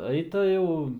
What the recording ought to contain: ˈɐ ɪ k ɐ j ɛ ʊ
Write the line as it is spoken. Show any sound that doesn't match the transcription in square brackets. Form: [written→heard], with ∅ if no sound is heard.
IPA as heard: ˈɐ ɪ [k→t] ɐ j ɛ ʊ